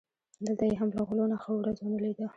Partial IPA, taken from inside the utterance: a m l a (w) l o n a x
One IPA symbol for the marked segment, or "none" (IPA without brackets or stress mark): ɣ